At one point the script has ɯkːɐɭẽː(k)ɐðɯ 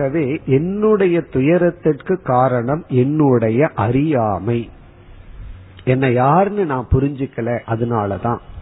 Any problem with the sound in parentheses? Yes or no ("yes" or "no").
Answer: yes